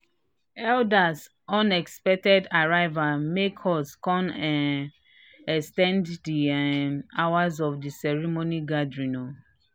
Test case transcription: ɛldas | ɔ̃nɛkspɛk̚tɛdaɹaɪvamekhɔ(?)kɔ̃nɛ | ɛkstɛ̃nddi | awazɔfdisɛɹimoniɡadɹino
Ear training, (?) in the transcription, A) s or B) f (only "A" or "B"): A